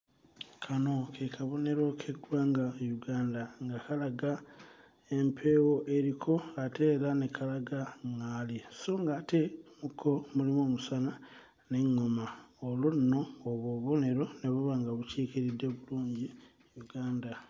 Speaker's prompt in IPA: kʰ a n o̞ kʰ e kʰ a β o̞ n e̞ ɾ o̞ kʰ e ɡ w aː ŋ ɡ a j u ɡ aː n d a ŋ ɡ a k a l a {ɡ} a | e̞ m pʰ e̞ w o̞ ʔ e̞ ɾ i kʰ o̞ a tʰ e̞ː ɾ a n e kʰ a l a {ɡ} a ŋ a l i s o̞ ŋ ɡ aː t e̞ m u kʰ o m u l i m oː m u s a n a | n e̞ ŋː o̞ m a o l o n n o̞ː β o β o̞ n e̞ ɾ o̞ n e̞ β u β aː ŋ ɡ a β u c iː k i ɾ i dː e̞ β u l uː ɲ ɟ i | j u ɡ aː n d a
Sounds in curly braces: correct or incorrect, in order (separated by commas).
correct, correct